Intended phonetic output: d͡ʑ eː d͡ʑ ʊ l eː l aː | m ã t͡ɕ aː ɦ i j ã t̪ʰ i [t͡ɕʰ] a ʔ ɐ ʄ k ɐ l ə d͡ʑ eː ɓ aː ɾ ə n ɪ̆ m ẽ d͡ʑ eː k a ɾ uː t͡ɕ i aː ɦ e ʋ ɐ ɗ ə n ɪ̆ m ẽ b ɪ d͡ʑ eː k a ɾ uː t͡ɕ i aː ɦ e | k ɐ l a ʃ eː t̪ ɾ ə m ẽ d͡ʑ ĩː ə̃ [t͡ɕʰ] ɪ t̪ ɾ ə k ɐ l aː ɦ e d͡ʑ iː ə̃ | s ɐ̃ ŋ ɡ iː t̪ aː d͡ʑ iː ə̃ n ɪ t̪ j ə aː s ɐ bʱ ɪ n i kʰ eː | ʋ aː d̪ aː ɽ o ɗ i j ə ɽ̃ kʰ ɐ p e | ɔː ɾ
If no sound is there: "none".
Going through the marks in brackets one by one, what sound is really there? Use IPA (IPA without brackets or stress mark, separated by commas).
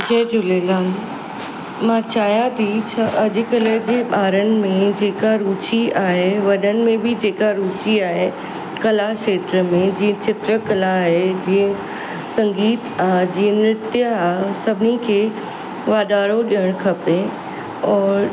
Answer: t͡ɕʰ, t͡ɕ